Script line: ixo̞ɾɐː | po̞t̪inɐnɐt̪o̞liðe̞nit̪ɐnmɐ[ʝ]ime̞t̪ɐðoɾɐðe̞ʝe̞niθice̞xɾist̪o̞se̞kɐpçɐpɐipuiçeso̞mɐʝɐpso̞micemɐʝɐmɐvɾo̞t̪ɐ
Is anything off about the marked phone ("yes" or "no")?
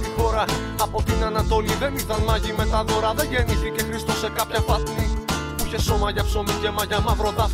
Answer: no